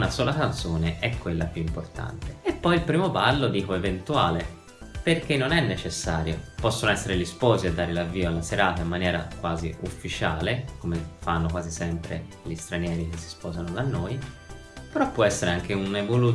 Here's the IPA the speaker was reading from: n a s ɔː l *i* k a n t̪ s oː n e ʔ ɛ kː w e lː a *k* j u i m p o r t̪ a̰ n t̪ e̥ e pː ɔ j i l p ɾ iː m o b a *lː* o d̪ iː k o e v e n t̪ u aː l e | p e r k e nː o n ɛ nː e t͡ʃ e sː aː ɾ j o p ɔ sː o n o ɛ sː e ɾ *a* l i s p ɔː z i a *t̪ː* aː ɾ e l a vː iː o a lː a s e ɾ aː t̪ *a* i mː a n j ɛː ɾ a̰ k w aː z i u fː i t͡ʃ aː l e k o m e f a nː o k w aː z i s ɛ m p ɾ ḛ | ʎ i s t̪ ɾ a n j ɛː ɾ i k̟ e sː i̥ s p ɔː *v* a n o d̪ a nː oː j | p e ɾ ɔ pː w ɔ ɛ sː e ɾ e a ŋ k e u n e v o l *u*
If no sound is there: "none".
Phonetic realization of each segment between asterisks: a, p, lː, e, d̪ː, a, z, u

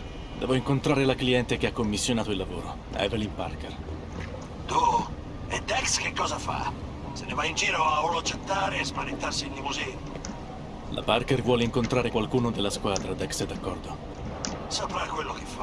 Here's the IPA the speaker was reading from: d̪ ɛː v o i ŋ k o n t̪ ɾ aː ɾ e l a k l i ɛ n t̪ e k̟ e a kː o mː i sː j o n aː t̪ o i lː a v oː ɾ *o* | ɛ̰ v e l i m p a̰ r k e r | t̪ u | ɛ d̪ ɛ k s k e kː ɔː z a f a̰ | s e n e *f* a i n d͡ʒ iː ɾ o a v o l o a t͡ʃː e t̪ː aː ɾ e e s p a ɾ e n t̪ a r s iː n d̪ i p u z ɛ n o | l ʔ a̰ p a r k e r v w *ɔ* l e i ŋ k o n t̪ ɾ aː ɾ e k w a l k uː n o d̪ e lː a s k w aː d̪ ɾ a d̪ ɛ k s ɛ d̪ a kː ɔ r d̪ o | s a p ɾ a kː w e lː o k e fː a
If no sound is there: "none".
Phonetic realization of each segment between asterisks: o, v, ɔː

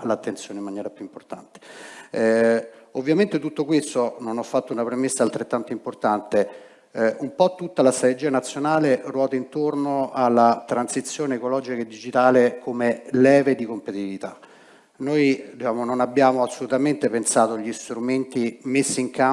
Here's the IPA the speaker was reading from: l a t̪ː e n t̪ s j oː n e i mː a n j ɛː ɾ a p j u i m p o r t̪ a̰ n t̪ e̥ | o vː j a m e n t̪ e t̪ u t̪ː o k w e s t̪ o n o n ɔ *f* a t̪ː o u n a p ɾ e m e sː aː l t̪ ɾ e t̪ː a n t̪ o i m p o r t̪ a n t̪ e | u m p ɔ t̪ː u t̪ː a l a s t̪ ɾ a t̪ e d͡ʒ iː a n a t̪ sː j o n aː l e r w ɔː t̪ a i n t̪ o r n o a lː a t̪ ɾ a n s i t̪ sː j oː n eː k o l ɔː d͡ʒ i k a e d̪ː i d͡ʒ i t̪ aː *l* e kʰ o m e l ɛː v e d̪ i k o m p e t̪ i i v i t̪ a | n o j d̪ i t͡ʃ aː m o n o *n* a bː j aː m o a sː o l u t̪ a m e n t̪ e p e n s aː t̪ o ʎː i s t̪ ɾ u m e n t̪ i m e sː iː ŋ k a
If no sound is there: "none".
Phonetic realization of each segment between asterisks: fː, l, n

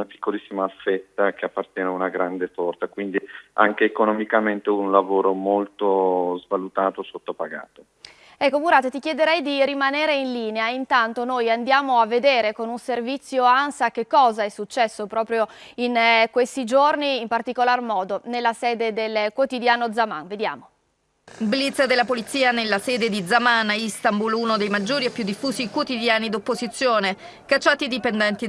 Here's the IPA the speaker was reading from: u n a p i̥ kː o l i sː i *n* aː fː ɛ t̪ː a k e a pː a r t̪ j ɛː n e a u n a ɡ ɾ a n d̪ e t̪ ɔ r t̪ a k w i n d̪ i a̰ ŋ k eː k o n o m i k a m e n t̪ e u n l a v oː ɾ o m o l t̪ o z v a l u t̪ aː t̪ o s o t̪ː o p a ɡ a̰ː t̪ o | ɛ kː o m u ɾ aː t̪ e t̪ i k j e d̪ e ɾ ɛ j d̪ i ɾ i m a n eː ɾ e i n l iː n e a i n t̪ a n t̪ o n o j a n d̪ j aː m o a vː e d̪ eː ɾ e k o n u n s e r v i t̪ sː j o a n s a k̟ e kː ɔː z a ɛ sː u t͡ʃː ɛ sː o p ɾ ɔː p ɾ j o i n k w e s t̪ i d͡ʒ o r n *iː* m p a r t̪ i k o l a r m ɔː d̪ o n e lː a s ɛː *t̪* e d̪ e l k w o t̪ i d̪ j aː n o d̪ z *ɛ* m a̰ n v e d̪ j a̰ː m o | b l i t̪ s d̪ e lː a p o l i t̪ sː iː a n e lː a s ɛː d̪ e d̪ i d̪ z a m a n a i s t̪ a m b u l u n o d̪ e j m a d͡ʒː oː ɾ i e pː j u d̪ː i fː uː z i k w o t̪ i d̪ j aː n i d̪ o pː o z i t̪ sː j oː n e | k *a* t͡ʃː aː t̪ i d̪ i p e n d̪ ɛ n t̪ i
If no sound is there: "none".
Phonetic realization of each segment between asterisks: m, iː, d̪, a, a

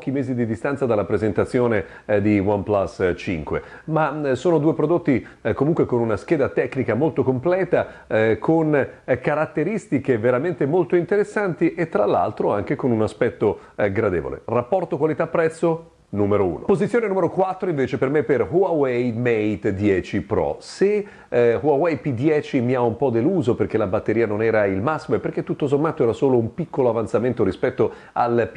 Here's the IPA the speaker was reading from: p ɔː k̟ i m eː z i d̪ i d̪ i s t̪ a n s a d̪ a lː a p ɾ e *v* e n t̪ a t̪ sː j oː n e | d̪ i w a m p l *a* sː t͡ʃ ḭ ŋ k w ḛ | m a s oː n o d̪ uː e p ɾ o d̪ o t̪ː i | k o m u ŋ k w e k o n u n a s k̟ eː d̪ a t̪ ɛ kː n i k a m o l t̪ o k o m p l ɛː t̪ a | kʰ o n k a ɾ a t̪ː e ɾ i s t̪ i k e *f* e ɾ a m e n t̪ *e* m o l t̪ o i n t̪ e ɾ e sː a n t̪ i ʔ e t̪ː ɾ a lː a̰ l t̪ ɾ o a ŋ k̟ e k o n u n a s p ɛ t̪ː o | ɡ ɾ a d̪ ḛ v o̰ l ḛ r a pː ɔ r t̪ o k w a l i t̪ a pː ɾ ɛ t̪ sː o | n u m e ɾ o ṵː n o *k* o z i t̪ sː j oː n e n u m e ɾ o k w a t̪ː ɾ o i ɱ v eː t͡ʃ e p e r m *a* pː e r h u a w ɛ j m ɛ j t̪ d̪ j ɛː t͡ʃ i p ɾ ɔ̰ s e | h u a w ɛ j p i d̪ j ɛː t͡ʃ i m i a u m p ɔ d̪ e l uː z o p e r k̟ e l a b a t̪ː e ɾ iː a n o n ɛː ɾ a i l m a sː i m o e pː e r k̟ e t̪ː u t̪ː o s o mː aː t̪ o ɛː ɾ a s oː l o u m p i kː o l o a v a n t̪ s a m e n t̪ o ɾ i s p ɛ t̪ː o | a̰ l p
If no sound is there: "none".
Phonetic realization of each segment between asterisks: z, a, v, e, p, e

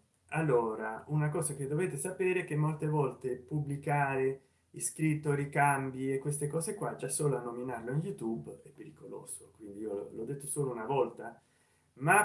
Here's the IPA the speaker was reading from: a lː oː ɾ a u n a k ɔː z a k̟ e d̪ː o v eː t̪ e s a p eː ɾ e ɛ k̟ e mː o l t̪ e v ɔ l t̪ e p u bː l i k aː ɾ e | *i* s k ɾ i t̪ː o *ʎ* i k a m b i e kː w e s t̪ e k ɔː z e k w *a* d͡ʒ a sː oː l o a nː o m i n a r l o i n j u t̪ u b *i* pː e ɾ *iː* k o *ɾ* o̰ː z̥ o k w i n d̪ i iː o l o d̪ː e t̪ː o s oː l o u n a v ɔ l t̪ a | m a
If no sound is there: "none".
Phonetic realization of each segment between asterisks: i, ɾ, a, ɛ, i, l

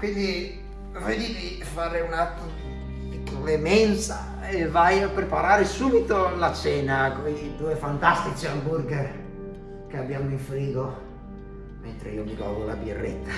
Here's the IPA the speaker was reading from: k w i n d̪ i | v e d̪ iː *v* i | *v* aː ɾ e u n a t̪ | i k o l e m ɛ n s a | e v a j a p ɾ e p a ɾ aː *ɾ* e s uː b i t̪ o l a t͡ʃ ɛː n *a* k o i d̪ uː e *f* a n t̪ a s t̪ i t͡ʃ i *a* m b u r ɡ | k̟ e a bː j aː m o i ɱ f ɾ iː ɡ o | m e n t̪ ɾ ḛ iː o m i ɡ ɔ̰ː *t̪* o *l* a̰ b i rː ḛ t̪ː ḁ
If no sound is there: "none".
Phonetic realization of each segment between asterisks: v, f, ɾ, a, f, a, d̪, l

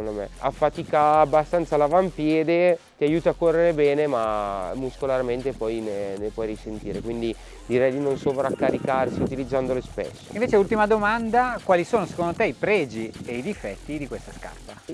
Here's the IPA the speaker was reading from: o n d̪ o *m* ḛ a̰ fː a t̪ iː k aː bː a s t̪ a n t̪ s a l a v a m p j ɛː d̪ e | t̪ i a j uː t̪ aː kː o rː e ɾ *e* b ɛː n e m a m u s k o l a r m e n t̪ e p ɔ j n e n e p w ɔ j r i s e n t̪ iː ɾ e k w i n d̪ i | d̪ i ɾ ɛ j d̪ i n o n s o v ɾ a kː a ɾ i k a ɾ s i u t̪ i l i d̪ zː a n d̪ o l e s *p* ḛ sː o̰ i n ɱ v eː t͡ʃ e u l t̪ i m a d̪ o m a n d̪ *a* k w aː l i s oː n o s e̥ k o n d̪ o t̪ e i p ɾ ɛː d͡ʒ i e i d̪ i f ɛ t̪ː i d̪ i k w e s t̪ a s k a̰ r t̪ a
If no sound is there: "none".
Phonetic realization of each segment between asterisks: m, e, p, a

